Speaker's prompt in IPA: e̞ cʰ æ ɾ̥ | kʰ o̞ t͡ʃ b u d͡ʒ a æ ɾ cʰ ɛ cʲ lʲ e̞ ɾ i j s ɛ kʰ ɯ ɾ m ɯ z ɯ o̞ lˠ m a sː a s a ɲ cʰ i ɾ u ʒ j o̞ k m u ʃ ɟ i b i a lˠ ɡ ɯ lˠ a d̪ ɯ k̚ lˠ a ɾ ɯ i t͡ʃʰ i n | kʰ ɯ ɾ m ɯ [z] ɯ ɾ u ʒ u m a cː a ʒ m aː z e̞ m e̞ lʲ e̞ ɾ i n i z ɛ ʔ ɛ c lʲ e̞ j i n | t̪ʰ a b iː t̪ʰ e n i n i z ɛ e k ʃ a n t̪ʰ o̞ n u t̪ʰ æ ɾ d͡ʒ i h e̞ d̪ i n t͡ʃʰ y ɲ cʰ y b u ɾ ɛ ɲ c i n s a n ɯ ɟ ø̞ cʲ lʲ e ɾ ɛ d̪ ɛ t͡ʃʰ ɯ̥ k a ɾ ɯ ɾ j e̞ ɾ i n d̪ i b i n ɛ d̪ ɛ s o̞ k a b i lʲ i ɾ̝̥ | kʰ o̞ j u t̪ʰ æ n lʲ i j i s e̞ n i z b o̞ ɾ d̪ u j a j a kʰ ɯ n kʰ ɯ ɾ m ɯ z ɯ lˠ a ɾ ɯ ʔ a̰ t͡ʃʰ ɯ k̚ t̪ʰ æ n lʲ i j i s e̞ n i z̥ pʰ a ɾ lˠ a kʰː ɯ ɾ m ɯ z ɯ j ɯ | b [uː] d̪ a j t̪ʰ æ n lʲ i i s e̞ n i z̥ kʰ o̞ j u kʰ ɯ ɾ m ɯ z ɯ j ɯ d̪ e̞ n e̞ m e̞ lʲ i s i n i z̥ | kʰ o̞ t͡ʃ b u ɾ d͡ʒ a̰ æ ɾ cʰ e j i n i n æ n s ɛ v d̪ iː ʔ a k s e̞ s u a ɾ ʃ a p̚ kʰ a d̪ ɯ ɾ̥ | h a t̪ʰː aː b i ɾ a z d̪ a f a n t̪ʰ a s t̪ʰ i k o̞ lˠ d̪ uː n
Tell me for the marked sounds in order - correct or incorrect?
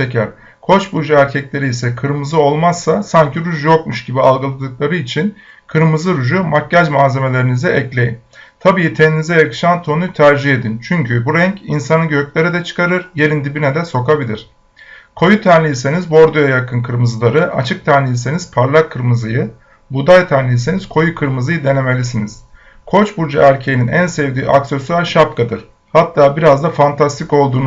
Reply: correct, incorrect

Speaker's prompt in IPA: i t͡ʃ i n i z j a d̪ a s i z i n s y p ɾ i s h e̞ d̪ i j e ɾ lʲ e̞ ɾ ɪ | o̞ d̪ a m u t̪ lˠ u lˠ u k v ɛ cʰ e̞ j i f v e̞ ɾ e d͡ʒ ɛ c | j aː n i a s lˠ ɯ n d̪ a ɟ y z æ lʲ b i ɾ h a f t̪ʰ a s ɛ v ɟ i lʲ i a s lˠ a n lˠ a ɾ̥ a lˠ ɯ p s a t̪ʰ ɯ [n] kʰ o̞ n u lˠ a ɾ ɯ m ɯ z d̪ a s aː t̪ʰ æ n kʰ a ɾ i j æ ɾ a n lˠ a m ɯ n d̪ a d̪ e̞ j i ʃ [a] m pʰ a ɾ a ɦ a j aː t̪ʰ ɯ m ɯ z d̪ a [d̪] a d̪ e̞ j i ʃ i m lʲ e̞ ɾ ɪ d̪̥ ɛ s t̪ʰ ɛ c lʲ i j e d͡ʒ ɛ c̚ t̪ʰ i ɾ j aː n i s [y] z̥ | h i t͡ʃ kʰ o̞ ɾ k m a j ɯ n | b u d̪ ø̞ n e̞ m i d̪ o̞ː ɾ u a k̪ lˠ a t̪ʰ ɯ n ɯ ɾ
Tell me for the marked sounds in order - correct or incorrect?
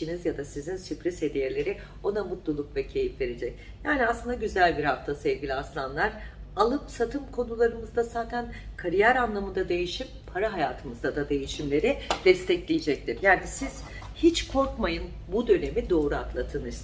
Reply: incorrect, incorrect, correct, incorrect

